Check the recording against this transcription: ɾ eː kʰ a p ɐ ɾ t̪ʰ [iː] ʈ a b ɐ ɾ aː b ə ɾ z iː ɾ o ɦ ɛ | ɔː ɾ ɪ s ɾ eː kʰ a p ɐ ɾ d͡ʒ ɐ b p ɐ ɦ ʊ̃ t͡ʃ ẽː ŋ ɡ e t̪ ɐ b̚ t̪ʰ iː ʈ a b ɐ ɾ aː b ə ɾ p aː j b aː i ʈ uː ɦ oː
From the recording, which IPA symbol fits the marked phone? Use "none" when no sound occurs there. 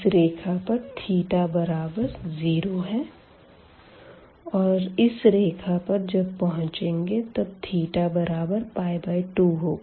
iː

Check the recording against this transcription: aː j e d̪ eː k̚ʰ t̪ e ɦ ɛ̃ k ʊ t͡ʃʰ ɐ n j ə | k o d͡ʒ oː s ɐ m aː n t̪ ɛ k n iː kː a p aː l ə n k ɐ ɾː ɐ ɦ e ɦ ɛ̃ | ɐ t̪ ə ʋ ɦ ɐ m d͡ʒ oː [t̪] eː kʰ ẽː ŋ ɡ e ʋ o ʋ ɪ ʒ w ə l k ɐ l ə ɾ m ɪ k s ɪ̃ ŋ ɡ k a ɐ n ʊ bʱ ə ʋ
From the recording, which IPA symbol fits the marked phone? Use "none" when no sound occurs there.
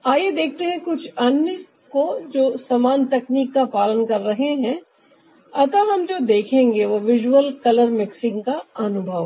d̪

